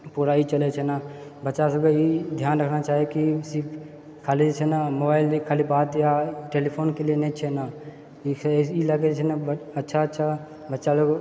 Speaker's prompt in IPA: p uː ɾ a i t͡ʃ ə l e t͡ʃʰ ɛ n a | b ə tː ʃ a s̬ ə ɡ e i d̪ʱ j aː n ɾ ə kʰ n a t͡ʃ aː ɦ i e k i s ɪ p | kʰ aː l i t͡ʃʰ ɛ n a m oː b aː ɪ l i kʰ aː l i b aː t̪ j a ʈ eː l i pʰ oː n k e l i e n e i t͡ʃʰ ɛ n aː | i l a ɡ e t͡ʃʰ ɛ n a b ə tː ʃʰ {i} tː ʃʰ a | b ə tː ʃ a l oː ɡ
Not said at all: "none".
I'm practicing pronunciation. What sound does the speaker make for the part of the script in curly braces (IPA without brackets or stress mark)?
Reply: a